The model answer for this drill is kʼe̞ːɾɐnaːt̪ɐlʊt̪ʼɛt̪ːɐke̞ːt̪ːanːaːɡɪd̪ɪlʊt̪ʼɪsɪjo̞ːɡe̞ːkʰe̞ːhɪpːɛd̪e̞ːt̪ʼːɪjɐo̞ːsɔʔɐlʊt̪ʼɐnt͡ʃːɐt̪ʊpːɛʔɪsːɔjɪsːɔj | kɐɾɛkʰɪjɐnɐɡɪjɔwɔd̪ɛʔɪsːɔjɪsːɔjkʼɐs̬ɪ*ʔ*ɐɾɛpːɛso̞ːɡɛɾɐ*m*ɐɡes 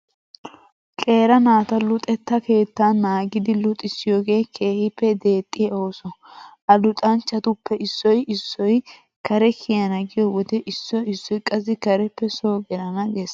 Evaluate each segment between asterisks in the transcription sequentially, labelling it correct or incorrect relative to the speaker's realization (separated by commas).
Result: incorrect, incorrect